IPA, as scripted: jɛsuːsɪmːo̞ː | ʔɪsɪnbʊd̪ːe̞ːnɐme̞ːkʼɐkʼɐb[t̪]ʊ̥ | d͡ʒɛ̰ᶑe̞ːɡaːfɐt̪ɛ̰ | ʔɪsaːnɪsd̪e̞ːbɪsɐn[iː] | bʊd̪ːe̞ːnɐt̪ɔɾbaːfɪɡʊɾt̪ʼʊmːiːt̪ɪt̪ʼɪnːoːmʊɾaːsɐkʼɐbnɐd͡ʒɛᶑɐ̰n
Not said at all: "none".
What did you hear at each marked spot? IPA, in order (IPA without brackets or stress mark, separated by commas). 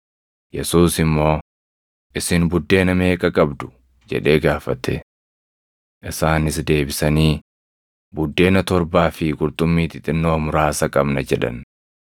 d̪, iː